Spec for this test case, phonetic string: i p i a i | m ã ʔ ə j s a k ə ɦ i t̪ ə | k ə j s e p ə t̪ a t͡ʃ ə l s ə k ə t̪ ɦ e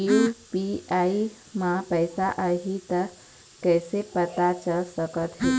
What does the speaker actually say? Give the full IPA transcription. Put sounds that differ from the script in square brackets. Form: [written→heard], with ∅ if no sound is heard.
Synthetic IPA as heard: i p i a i | m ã [ʔ→p] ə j s a [k→ʔ] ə ɦ i t̪ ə | k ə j s e p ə t̪ a t͡ʃ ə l s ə k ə t̪ ɦ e